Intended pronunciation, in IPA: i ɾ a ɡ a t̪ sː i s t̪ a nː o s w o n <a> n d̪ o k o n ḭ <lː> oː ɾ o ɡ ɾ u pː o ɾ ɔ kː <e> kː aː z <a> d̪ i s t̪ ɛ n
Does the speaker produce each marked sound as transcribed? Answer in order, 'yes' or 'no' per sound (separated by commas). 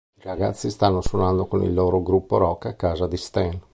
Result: yes, yes, no, yes